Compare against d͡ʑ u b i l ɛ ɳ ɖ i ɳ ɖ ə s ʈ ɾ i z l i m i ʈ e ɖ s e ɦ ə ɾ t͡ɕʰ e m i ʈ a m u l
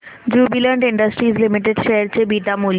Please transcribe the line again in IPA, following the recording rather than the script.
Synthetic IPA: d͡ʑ u b i l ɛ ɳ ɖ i ɳ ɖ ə s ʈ ɾ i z l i m i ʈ e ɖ ʃ e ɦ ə ɾ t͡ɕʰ e b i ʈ a m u l